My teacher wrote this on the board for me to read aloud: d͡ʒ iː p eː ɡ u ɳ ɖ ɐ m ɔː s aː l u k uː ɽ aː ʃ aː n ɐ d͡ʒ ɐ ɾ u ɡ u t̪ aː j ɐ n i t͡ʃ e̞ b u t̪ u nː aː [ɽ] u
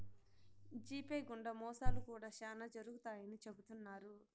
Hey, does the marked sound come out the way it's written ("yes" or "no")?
no